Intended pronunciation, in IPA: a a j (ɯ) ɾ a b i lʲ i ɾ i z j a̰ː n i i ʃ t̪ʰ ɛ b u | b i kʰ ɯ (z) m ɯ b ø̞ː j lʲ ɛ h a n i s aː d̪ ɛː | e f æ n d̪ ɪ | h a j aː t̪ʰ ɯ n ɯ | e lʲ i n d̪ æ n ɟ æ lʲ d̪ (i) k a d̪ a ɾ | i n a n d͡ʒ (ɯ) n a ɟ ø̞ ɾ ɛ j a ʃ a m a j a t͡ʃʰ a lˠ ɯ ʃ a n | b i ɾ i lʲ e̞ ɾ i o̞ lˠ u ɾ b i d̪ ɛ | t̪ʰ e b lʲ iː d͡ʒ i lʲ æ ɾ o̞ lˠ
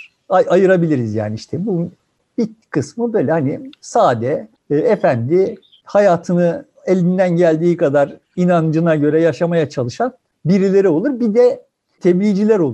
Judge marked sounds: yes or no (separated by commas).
yes, no, no, yes